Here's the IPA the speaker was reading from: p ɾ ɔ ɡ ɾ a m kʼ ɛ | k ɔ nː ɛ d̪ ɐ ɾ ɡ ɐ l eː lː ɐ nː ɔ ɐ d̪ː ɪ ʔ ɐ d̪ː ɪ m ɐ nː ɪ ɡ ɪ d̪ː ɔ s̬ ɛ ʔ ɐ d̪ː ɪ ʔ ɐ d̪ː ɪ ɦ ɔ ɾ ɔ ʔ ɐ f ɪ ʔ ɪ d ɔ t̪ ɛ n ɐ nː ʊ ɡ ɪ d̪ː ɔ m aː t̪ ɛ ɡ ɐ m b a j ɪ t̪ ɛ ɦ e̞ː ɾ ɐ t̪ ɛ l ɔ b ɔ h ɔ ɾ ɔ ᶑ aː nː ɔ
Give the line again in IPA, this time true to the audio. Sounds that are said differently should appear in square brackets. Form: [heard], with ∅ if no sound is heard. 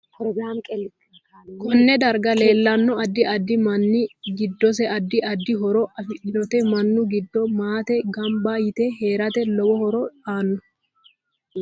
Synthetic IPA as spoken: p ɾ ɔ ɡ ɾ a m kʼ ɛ | k ɔ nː ɛ d̪ ɐ ɾ ɡ ɐ l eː lː ɐ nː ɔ ɐ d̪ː ɪ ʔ ɐ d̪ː ɪ m ɐ nː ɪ ɡ ɪ d̪ː ɔ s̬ ɛ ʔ ɐ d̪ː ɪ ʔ ɐ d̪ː ɪ ɦ ɔ ɾ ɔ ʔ ɐ f ɪ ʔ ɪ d ɔ t̪ ɛ [m] ɐ nː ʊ ɡ ɪ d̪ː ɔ m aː t̪ ɛ ɡ ɐ m b a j ɪ t̪ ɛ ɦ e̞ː ɾ ɐ t̪ ɛ l ɔ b ɔ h ɔ ɾ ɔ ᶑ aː nː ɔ